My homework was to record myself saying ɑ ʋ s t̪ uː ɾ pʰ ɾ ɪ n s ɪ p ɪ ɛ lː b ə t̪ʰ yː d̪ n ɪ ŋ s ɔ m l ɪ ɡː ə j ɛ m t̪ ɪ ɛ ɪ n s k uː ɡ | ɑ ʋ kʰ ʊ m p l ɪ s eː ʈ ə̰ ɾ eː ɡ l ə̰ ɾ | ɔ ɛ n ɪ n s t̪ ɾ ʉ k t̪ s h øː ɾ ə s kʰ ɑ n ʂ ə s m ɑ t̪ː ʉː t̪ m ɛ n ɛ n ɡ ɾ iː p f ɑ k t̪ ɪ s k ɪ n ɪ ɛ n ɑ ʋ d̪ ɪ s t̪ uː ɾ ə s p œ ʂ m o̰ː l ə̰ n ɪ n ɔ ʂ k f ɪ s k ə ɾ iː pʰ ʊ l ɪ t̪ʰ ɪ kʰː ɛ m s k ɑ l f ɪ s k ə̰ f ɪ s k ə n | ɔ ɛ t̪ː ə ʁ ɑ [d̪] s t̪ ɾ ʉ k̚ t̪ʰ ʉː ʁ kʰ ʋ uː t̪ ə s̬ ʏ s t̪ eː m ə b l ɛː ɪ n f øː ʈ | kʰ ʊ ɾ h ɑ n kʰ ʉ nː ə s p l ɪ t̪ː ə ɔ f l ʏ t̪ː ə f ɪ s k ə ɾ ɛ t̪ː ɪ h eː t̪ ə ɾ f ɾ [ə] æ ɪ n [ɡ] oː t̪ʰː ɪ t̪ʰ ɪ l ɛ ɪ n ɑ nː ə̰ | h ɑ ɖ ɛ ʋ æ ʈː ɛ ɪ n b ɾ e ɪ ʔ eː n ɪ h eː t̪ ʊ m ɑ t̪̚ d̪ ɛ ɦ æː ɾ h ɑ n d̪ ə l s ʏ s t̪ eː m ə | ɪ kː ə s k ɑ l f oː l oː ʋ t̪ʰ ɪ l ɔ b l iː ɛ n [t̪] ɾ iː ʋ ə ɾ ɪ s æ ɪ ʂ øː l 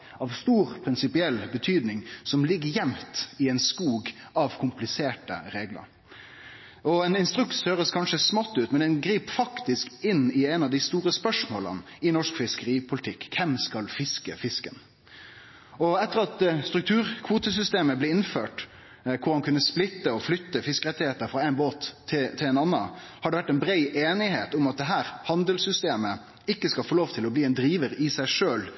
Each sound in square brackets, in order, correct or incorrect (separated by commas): incorrect, incorrect, incorrect, incorrect